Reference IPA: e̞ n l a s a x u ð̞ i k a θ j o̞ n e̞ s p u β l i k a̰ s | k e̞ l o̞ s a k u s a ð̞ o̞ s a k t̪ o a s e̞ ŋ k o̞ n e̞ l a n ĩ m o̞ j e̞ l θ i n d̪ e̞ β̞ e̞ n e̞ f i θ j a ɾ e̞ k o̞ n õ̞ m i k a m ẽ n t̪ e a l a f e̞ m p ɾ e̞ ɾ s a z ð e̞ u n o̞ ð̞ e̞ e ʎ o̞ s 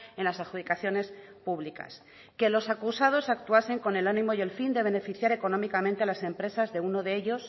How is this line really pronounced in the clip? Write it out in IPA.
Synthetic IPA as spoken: e̞ n l a s a x u ð̞ i k a θ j o̞ n e̞ s p u β l i k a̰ s | k e̞ l o̞ s a k u s a ð̞ o̞ s a k t̪ u a s e̞ ŋ k o̞ n e̞ l a n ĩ m o̞ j e̞ l f i n d̪ e̞ β̞ e̞ n e̞ f i θ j a ɾ e̞ k o̞ n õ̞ m i k a m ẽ n t̪ e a l a s e̞ m p ɾ e̞ s a z ð e̞ u n o̞ ð̞ e̞ e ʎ o̞ s

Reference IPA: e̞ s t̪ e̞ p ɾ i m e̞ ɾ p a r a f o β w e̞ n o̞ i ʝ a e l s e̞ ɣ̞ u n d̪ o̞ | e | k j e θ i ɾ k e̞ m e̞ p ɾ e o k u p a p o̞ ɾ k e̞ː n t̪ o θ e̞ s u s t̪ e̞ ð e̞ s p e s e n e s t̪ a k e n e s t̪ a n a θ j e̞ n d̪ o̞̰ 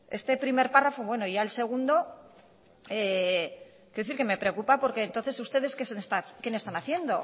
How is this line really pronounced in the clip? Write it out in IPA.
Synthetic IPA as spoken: e̞ s t̪ e̞ p ɾ i m e̞ ɾ p a r a f o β w e̞ n o̞ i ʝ a e l s e̞ ɣ̞ u n d̪ o̞ | e | k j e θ i ɾ k e̞ m e̞ p ɾ e o k u p a p o̞ ɾ k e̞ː n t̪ o θ e̞ s u s t̪ e̞ ð e̞ s k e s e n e s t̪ a k e n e s t̪ a n a θ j e̞ n d̪ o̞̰

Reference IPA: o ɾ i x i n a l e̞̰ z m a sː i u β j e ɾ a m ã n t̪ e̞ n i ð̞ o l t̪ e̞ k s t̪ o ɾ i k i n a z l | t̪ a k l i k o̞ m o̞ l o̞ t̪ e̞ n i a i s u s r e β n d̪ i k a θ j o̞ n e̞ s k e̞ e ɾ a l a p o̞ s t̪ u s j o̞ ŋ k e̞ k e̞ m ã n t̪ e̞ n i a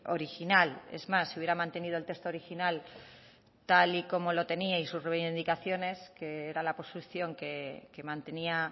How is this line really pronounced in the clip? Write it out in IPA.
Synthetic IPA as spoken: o ɾ i x i n a l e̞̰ z m a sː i u β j e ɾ a m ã n t̪ e̞ n i ð̞ o l t̪ e̞ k s t̪ o ɾ i x i n a l | t̪ a l i k o̞ m o̞ l o̞ t̪ e̞ n i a i s u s r e β n d̪ i k a θ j o̞ n e̞ s k e̞ e ɾ a l a p o̞ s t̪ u θ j o̞ ŋ k e̞ k e̞ m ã n t̪ e̞ n i a

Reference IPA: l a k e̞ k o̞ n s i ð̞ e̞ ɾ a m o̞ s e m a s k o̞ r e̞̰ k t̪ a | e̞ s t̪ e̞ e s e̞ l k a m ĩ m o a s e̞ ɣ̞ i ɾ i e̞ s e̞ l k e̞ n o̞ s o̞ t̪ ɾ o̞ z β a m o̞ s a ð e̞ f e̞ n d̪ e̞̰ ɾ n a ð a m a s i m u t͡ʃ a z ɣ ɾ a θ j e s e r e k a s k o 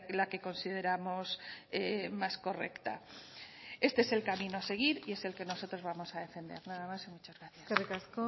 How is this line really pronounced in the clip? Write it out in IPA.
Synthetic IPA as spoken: l a k e̞ k o̞ n s i ð̞ e̞ ɾ a m o̞ s e m a s k o̞ r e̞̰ k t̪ a | e̞ s t̪ e̞ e s e̞ l k a m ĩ n o a s e̞ ɣ̞ i ɾ i e̞ s e̞ l k e̞ n o̞ s o̞ t̪ ɾ o̞ z β a m o̞ s a ð e̞ f e̞ n d̪ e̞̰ ɾ n a ð a m a s i m u t͡ʃ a z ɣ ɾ a θ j a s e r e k a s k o

